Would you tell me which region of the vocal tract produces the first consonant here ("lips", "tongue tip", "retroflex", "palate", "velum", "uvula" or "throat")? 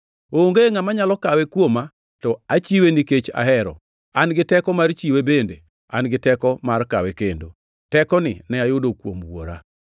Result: velum